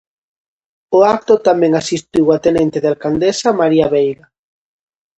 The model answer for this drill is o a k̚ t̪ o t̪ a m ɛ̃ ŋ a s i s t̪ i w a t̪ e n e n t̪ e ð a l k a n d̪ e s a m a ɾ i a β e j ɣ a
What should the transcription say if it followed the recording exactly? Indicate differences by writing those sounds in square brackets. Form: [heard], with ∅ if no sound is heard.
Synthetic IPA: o a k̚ t̪ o t̪ a m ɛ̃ ŋ a s i s t̪ i w a t̪ e n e n t̪ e ð a l k a n d̪ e s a m a ɾ i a β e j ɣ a